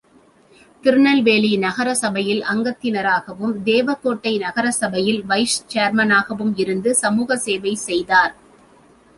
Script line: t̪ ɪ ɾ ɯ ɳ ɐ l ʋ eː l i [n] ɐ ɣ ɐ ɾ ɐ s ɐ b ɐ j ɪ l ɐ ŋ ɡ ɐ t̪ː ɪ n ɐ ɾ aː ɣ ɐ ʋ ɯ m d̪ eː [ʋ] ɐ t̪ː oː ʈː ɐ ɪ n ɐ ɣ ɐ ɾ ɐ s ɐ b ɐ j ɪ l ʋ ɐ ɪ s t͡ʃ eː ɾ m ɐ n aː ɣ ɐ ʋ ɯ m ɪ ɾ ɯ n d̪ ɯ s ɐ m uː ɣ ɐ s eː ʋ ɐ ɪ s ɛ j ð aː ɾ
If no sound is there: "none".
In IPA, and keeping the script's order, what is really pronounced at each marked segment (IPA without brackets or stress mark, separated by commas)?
n, ʋ